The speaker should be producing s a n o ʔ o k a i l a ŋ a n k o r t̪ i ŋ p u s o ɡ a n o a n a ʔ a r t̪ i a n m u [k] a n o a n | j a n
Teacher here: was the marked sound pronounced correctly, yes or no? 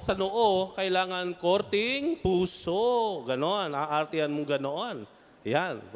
no